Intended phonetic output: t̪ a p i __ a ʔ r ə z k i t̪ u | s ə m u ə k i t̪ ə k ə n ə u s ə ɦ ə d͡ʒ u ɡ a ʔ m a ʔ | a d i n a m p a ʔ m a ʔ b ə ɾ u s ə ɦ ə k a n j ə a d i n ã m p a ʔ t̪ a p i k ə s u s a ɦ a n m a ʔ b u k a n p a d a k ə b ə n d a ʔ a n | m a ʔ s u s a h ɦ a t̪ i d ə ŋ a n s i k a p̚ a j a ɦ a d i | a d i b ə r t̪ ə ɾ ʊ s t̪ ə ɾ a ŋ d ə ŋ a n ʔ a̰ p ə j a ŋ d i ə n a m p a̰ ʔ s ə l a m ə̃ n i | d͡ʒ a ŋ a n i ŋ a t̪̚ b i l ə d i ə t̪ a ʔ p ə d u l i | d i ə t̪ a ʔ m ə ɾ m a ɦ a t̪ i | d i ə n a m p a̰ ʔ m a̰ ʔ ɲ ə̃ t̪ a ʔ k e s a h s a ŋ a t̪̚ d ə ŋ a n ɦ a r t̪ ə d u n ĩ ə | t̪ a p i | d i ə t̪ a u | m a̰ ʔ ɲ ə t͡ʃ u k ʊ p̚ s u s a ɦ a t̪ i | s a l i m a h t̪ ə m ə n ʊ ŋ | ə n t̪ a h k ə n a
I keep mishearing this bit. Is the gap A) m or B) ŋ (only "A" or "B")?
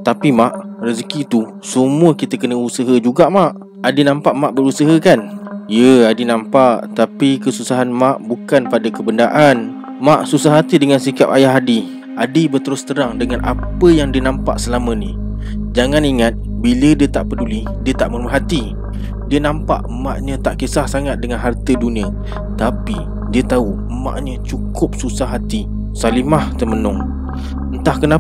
A